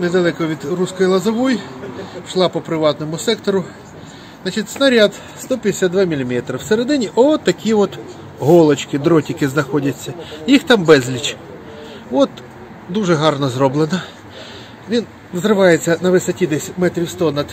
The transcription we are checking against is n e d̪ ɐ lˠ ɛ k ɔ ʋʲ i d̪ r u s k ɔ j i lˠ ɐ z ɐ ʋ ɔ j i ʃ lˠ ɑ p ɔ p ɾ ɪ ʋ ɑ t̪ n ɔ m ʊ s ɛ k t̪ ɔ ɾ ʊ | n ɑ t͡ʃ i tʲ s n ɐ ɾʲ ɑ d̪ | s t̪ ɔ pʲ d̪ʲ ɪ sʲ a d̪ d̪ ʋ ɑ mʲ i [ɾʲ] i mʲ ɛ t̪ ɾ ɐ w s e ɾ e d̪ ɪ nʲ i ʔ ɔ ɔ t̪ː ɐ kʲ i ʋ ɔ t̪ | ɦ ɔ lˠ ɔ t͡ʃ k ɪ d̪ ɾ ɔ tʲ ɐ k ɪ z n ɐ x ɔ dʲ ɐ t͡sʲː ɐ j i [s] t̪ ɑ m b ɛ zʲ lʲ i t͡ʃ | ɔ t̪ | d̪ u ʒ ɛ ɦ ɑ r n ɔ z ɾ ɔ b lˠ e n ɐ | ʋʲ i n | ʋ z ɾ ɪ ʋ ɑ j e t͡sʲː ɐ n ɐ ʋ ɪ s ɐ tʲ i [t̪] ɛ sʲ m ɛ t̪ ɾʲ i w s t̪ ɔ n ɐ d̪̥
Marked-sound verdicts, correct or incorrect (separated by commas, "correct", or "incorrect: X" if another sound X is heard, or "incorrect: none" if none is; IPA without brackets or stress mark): incorrect: lʲ, incorrect: x, incorrect: d̪